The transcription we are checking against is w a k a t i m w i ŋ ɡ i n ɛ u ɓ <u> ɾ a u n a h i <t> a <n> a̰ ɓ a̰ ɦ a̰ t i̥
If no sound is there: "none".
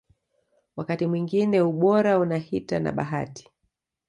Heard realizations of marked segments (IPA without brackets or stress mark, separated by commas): ɔ, t, n